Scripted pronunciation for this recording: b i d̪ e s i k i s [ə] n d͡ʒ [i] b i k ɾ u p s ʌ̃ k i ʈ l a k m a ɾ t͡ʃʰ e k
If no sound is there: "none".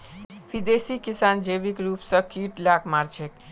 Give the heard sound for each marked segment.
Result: a, e

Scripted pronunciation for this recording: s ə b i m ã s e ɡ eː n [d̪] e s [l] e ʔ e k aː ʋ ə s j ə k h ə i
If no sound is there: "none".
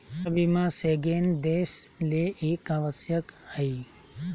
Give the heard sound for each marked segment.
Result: d̪, l

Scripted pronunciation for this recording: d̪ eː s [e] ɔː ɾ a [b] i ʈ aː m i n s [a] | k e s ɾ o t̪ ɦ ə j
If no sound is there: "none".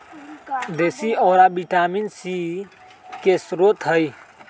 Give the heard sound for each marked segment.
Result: i, b, i

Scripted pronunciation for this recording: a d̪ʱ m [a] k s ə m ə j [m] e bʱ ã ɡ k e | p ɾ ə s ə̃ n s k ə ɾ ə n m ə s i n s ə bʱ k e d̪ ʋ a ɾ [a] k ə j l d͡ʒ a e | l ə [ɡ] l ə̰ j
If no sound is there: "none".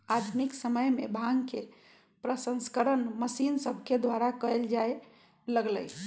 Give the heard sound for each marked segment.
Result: i, m, a, ɡ

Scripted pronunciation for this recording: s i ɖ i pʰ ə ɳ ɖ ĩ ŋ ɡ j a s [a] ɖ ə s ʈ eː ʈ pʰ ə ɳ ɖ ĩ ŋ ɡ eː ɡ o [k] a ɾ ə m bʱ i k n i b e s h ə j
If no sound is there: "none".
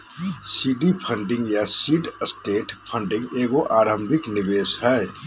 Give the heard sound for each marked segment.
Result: i, ʔ

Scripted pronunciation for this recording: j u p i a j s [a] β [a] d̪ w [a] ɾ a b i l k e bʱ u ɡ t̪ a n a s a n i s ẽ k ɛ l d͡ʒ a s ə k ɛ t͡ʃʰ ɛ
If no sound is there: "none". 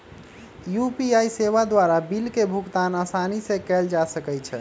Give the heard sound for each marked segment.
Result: e, a, a

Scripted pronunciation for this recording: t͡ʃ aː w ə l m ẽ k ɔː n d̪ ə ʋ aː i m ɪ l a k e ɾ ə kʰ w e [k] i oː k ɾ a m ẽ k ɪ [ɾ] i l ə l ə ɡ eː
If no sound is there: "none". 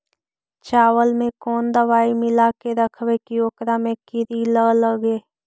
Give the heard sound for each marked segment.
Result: k, ɾ

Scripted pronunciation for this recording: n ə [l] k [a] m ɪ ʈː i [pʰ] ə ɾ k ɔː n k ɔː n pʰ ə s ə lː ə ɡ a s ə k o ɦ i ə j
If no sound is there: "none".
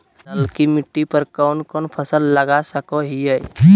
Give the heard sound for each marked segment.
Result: l, i, p

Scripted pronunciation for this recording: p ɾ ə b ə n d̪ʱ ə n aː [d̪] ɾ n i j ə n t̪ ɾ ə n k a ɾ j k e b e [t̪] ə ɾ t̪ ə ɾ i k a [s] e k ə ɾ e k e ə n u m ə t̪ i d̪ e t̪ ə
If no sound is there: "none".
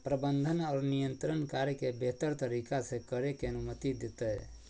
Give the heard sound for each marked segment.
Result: none, t̪, s

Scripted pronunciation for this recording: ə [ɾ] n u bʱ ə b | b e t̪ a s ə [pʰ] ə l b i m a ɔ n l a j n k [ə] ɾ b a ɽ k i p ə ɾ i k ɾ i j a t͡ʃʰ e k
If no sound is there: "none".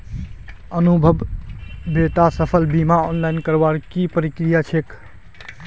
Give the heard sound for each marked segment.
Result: none, pʰ, ə

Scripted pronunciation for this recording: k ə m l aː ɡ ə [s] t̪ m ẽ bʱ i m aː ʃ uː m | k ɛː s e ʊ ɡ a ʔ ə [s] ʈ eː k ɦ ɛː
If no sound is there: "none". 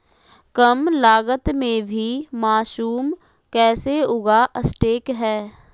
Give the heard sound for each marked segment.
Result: none, s

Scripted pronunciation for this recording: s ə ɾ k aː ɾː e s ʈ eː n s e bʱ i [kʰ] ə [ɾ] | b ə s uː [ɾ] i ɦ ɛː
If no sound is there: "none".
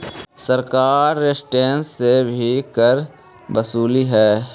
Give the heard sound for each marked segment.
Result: k, ɾ, l

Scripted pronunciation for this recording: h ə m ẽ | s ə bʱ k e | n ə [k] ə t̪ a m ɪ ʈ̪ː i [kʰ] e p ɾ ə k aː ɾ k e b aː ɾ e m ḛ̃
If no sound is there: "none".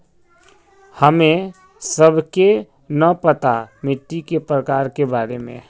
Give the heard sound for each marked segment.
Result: p, k

